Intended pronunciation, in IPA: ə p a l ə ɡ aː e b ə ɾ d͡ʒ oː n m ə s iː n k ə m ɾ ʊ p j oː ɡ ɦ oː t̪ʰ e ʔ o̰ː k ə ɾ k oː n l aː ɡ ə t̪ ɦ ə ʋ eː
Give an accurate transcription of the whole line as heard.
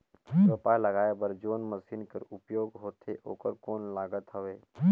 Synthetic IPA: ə p a l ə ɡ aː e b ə ɾ d͡ʒ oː n m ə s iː n k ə ɾ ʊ p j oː ɡ ɦ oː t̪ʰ e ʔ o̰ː k ə ɾ k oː n l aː ɡ ə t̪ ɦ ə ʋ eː